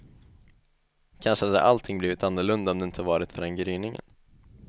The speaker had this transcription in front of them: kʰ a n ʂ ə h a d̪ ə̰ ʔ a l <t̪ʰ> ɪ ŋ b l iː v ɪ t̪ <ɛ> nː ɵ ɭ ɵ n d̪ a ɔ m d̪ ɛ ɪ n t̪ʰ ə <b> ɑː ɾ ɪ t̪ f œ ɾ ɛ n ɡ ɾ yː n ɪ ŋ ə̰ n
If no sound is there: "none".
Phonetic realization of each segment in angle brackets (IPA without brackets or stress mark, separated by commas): t̪ʰ, a, v